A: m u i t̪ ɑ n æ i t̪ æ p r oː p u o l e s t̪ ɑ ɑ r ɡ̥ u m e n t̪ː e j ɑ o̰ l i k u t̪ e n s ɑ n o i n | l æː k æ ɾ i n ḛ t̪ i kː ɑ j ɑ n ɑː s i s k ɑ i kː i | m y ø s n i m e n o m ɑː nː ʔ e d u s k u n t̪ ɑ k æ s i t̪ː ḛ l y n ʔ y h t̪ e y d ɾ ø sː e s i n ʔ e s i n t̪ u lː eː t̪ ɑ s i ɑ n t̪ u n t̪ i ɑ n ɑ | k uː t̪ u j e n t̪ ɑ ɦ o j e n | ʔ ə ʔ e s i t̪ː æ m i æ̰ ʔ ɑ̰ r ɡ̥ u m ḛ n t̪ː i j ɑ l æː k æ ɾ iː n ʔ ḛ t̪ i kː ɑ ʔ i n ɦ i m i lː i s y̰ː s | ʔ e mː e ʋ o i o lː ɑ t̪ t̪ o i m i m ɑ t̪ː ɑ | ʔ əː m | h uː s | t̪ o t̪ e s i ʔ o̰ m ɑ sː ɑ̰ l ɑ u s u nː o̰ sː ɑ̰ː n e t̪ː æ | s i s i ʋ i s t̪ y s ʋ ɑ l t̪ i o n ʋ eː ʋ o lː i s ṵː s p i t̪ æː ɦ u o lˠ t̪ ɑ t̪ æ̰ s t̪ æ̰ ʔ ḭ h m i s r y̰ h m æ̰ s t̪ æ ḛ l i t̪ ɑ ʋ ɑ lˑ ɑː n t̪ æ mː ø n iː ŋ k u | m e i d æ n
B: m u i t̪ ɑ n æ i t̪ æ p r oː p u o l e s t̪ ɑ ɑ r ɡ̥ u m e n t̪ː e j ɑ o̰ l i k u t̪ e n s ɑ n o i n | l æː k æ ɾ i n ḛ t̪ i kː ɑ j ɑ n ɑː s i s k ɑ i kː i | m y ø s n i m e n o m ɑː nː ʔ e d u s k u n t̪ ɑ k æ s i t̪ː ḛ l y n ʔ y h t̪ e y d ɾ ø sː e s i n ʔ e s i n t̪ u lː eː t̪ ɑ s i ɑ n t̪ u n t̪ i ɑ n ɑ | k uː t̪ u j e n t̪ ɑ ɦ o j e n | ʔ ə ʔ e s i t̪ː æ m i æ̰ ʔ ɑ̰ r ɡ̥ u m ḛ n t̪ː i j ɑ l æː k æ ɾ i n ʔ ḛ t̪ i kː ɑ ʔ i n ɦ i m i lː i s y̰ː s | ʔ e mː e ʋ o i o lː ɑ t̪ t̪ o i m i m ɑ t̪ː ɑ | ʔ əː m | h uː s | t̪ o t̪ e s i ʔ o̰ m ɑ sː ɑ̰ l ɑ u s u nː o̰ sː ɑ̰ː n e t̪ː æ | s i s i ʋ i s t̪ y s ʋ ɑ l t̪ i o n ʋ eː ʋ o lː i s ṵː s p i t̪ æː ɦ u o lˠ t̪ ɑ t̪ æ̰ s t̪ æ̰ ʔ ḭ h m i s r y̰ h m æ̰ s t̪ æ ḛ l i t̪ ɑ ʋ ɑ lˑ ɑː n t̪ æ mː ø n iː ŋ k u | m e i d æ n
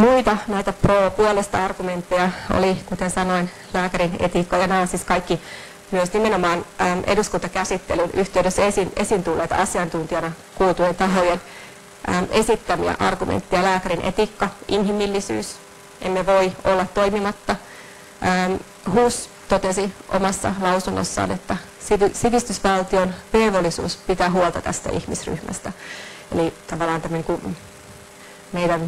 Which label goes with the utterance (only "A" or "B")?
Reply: B